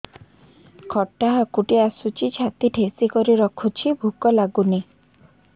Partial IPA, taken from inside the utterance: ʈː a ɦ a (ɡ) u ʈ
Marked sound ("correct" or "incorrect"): incorrect